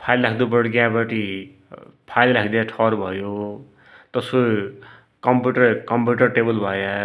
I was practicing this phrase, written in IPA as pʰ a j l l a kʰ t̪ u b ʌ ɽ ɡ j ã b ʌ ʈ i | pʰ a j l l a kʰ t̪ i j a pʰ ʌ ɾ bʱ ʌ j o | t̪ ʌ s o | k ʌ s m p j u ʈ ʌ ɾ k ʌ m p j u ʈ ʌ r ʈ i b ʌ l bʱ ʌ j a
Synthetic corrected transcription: pʰ a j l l a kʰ d̪ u b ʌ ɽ ɡ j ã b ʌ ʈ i | pʰ a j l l a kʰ d̪ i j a ʈʰ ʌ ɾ bʱ ʌ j o | t̪ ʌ s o | k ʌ m p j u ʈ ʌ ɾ k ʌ m p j u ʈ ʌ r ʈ e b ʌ l bʱ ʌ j a